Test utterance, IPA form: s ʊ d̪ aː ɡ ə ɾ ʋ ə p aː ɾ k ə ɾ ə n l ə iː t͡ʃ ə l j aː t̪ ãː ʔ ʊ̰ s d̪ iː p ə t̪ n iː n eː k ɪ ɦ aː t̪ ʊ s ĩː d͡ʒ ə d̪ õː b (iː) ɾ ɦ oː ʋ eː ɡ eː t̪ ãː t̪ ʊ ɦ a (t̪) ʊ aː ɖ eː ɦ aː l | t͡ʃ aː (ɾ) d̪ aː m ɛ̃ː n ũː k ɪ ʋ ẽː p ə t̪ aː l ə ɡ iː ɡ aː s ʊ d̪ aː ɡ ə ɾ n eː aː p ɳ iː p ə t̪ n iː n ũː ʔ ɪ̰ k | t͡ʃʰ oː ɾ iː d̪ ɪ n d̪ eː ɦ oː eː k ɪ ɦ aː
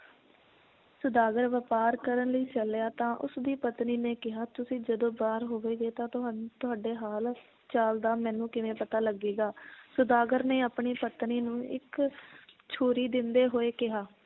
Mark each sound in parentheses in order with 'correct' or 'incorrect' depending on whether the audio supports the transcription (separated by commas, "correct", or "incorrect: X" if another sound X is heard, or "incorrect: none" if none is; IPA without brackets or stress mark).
incorrect: aː, correct, incorrect: l